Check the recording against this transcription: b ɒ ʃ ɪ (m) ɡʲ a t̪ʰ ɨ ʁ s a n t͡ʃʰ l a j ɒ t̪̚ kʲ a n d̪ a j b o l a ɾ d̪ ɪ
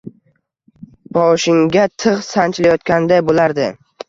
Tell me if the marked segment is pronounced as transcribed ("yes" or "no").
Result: no